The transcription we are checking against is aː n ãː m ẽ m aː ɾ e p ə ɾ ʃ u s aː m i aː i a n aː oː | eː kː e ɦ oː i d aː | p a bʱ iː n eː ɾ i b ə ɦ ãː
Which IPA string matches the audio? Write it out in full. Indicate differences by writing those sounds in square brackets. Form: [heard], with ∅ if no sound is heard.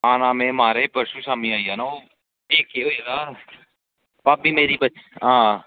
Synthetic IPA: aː n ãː m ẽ m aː ɾ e p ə ɾ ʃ u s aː m i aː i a n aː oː | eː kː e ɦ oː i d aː | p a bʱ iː [m] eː ɾ i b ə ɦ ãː